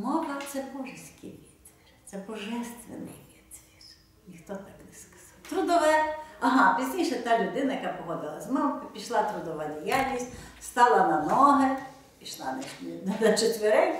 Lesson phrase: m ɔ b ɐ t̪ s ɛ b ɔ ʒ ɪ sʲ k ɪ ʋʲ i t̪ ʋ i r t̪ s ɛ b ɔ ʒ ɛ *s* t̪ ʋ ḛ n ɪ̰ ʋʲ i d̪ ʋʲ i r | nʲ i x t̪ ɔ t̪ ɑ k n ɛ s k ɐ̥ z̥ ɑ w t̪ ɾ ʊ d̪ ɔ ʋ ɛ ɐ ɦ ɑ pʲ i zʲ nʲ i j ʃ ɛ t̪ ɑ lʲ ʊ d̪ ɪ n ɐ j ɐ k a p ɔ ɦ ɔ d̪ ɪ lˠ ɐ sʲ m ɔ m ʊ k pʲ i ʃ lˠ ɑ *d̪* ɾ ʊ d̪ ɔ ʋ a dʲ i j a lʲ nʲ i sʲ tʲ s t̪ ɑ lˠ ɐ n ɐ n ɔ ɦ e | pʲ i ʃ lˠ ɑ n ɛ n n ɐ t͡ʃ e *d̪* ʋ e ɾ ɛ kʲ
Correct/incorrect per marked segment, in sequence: correct, incorrect: t̪, incorrect: t̪

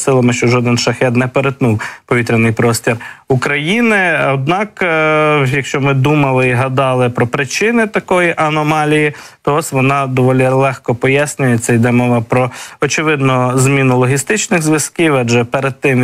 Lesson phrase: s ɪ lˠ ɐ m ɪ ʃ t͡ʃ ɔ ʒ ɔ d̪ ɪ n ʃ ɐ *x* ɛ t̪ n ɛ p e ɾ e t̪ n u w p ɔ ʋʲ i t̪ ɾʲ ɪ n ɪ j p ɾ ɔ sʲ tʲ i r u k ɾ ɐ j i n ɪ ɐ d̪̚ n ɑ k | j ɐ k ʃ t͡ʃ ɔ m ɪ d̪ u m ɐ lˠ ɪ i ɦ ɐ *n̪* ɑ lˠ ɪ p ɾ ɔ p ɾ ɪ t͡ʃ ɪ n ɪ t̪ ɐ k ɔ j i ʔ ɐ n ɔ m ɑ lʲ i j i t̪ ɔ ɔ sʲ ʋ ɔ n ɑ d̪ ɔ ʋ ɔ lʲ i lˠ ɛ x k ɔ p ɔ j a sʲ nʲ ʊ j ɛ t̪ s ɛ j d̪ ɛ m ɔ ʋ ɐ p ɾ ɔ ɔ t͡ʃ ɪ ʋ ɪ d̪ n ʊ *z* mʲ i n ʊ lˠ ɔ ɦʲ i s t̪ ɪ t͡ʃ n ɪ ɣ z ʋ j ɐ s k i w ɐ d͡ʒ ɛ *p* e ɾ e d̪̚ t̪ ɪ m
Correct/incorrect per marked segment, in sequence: correct, incorrect: d̪, correct, correct

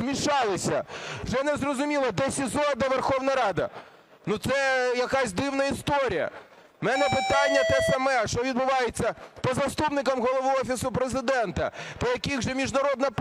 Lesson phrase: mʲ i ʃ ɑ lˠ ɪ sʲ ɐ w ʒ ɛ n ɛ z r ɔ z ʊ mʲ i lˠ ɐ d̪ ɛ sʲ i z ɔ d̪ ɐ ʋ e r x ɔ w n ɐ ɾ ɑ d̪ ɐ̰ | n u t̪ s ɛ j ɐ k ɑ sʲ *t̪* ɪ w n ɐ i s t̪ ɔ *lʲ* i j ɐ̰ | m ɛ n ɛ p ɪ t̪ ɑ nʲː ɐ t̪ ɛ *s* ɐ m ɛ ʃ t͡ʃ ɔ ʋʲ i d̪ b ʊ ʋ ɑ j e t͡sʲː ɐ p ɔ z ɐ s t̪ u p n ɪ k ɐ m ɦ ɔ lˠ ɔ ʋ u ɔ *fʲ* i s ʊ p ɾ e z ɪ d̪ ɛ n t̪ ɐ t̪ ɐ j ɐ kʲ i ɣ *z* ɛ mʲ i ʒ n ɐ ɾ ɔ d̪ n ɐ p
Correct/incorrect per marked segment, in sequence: incorrect: d̪, incorrect: ɾʲ, correct, correct, incorrect: ʒ

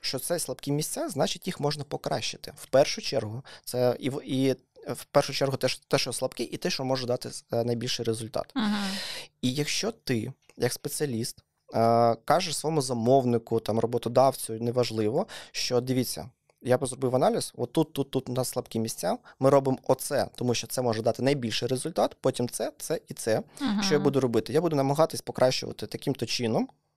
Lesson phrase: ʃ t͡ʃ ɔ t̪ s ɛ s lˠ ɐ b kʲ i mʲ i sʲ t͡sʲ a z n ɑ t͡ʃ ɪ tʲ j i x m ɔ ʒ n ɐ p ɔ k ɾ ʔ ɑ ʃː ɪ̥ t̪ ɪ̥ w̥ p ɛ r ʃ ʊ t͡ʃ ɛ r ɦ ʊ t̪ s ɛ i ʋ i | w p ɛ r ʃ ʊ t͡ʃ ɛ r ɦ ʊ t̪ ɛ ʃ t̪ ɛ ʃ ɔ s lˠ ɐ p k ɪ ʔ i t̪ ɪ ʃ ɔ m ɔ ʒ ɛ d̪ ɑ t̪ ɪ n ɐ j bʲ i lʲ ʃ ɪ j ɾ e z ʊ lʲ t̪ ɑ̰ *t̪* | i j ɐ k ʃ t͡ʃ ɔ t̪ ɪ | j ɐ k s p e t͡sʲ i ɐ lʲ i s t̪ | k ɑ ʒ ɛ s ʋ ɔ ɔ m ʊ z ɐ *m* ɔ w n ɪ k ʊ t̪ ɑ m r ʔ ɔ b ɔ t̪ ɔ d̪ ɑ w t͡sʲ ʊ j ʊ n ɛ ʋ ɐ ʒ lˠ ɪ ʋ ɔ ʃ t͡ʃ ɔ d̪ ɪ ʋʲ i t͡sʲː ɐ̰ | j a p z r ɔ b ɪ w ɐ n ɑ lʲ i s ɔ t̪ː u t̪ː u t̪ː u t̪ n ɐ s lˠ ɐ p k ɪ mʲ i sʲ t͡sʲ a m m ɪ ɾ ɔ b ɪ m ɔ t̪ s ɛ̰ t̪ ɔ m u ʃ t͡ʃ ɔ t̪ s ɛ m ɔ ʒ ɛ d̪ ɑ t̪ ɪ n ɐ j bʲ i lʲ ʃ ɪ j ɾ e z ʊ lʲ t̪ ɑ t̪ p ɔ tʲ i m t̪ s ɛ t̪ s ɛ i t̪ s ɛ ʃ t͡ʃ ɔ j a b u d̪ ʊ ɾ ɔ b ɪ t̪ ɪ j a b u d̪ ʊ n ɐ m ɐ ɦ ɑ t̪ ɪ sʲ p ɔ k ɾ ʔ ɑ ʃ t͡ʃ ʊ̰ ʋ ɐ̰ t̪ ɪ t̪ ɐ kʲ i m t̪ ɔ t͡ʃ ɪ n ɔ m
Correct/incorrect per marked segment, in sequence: correct, correct

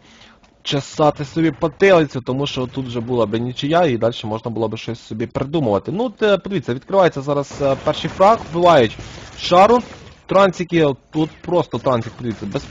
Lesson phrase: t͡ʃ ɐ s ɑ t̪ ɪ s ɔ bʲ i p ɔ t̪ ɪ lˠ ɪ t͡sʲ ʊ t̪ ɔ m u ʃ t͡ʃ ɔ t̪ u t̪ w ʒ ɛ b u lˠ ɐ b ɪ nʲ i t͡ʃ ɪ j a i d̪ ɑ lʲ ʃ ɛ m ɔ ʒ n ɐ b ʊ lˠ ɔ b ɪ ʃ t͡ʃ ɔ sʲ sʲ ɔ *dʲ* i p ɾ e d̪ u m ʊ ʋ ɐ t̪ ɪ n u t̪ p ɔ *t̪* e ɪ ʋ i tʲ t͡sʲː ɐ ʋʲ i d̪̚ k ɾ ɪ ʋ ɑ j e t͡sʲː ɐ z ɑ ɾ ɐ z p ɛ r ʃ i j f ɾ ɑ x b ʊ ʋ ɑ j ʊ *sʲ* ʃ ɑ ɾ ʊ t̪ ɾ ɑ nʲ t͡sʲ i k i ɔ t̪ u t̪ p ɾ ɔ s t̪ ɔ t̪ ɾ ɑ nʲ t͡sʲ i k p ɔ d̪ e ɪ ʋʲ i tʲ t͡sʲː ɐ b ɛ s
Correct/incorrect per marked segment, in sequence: incorrect: bʲ, incorrect: d̪, incorrect: tʲ

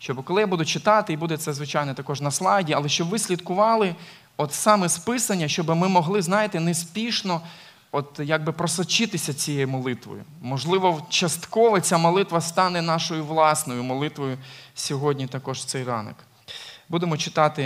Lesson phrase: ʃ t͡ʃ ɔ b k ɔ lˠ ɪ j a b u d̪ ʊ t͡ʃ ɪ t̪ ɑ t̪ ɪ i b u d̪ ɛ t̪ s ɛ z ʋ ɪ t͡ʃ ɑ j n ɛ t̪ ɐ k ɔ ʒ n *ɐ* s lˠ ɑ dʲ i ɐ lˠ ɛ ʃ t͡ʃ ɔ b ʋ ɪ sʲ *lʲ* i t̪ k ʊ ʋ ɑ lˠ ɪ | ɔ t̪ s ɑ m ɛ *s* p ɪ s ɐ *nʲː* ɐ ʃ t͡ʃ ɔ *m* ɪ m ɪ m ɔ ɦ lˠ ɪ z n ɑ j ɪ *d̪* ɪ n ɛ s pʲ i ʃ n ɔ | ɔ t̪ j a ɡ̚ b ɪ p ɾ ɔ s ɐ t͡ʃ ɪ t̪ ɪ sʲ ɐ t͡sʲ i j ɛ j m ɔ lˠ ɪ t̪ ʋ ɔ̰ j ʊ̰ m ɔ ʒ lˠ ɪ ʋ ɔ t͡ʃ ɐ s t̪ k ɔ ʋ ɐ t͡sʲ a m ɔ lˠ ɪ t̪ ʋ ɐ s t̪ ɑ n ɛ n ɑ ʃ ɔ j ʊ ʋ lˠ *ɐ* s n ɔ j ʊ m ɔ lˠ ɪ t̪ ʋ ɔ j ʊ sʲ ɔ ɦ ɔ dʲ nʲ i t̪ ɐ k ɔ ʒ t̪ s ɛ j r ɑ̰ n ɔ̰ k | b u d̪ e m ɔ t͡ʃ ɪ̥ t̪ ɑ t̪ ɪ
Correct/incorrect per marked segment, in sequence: correct, correct, correct, correct, incorrect: b, incorrect: t̪, incorrect: ɑ

